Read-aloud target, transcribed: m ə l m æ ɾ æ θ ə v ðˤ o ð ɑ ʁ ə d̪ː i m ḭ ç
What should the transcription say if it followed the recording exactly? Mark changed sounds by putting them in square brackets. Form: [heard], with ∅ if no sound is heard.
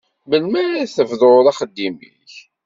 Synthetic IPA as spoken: m ə l m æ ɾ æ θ ə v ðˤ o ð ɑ [χ] ə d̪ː i m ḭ ç